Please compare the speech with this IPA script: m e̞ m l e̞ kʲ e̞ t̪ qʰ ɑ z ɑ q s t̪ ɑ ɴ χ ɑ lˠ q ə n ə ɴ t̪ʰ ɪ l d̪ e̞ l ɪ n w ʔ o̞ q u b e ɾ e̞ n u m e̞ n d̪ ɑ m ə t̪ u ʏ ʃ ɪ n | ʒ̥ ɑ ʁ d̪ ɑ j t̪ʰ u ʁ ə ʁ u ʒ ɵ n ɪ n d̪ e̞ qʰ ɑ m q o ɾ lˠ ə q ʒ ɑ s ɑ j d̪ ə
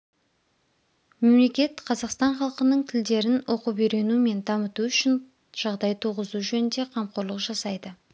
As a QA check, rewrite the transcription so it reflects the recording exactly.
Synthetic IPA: m e̞ m l e̞ kʲ e̞ t̪ qʰ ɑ z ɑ q s t̪ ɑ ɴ χ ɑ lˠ q ə n ə ɴ t̪ʰ ɪ l d̪ e̞ ɾ ɪ n w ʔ o̞ q u b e ɾ e̞ n u m e̞ n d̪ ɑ m ə t̪ u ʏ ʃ ɪ n | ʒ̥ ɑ ʁ d̪ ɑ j t̪ʰ u ʁ ə z u ʒ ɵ n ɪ n d̪ e̞ qʰ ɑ m q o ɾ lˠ ə q ʒ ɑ s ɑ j d̪ ə